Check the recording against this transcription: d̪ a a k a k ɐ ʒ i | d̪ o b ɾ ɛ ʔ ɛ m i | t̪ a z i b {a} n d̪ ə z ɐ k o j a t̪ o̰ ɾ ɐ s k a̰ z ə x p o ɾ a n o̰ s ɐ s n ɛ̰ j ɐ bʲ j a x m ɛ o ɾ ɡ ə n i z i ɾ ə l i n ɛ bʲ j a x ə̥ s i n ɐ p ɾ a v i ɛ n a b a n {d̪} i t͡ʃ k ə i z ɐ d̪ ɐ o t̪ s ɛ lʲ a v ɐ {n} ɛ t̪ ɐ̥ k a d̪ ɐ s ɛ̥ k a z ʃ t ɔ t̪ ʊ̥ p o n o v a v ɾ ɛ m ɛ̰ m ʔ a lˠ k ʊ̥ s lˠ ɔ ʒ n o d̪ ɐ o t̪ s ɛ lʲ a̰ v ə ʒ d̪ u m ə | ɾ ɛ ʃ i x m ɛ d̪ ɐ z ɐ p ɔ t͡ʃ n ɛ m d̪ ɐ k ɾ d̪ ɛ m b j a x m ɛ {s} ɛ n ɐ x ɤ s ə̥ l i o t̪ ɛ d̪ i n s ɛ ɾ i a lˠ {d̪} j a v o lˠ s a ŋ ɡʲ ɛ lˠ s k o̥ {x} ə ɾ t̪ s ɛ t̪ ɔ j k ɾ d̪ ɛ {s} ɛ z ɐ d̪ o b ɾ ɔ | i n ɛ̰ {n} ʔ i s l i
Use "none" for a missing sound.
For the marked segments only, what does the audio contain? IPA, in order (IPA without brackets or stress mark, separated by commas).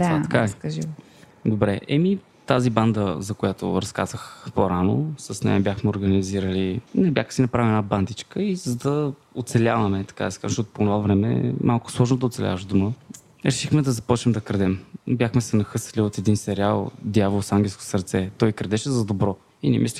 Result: a, d̪, m, s, d̪, s, ʃ, m